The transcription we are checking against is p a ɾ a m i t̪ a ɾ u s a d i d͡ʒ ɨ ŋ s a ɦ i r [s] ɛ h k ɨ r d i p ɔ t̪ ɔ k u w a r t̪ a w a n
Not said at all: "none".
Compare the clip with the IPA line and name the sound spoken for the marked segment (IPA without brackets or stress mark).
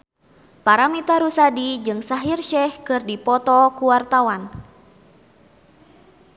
ʃ